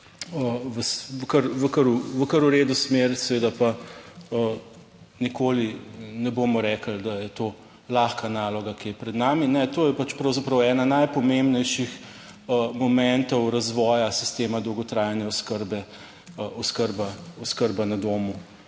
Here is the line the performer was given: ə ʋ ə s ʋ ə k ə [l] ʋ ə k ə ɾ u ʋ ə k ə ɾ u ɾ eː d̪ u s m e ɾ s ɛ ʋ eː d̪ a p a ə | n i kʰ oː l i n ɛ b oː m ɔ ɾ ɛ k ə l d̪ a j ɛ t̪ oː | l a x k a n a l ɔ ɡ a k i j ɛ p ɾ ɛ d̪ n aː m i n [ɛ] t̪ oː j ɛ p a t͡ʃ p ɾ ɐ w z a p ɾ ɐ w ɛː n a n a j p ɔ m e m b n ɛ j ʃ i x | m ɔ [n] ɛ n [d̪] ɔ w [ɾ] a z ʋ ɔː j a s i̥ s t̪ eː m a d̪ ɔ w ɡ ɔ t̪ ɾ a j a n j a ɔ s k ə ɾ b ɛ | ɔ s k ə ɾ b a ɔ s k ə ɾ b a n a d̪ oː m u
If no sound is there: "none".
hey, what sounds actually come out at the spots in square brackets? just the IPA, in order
ɾ, ɛ, m, t̪, ɾ

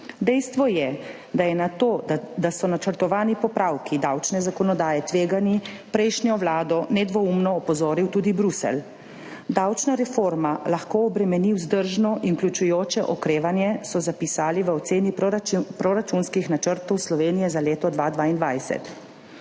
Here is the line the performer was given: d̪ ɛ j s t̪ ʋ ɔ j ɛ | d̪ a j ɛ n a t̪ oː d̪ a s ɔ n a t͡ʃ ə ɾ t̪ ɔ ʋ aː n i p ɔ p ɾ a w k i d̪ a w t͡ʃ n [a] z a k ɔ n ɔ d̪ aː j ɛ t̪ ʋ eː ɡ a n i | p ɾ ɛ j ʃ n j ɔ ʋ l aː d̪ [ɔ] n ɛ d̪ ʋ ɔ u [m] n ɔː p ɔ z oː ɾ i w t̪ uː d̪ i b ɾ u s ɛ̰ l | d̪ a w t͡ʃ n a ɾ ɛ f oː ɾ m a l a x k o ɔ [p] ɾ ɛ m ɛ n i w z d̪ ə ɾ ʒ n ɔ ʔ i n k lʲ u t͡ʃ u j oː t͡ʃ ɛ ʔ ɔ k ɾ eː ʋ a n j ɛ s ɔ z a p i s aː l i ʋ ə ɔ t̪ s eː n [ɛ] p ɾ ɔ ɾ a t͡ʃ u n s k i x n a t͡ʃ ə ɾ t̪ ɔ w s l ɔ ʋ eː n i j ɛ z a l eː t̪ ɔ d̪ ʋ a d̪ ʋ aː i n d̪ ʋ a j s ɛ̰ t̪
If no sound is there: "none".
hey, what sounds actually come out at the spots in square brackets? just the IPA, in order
ɛ, ɔ, m, b, i

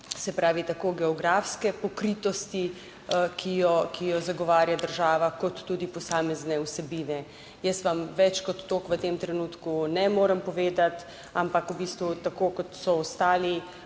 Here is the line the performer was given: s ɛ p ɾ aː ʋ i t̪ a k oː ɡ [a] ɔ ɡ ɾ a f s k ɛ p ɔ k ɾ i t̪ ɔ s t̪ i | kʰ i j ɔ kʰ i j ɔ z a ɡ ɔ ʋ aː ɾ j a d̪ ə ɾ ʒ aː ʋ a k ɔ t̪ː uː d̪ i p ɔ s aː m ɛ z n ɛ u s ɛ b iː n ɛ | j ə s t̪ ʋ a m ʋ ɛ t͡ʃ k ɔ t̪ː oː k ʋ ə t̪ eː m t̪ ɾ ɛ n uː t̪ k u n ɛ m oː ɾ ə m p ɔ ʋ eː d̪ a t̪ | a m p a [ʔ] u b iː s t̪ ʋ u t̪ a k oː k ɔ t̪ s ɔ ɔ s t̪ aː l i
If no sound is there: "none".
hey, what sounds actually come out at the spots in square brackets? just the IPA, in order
ɛ, k

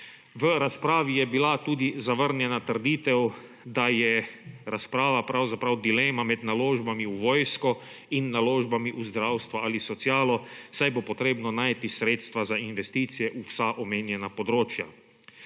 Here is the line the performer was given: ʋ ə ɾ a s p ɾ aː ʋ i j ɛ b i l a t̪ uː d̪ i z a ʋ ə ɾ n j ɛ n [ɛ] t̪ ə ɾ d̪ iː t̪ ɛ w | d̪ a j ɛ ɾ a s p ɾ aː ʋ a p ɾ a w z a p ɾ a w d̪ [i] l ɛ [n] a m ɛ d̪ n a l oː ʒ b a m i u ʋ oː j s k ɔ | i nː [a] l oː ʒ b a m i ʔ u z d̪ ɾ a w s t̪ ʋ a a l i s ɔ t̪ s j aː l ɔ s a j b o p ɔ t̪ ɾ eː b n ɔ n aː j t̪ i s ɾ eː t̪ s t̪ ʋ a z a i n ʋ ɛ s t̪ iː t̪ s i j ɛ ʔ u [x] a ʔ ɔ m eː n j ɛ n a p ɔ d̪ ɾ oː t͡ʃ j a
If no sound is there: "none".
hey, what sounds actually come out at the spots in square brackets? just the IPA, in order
a, i, m, a, s

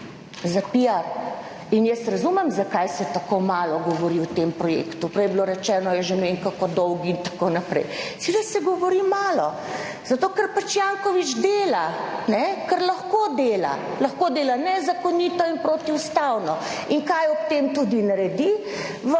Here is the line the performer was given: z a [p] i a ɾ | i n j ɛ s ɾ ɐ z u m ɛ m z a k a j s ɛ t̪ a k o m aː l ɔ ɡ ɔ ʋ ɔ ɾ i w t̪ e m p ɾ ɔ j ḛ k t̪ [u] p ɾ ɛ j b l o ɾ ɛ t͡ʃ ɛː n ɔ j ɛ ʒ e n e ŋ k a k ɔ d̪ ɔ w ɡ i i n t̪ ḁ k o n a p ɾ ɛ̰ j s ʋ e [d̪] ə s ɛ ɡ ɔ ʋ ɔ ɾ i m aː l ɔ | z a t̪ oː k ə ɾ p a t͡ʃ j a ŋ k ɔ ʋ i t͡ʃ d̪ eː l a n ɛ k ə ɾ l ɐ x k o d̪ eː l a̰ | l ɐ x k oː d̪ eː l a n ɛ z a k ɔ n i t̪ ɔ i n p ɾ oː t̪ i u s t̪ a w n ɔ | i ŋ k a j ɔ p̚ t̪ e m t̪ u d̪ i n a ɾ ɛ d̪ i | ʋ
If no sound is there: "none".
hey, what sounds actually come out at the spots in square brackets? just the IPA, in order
p, u, d̪

